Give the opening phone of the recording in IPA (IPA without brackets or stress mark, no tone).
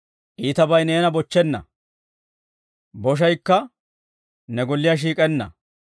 ʔ